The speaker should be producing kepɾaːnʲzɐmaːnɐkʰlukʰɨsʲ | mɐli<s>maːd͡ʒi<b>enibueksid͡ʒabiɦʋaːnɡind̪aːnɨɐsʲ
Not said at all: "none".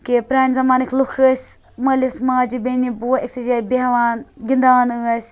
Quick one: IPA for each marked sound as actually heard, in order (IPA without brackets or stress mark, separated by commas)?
s, b